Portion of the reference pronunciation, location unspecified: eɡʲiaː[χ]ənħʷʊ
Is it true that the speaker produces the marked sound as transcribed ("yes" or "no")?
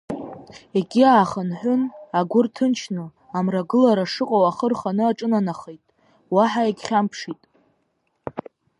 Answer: yes